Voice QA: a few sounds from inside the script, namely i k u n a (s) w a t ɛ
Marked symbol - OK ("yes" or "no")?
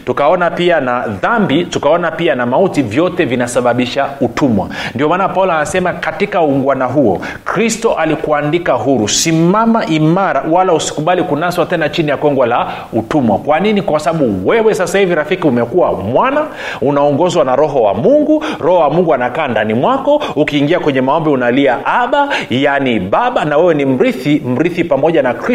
yes